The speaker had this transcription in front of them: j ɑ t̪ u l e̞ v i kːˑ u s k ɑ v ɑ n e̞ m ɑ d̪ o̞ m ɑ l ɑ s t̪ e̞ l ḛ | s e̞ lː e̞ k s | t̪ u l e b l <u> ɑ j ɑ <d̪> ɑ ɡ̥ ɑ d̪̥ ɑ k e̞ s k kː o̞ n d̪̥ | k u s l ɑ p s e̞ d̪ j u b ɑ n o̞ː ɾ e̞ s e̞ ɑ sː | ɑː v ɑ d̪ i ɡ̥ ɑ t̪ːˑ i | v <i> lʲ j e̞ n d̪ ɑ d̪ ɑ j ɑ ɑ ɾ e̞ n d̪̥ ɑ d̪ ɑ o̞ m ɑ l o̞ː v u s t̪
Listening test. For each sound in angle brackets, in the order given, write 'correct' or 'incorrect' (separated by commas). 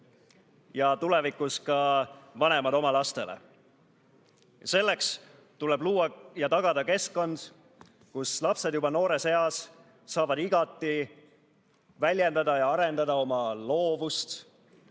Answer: incorrect, incorrect, incorrect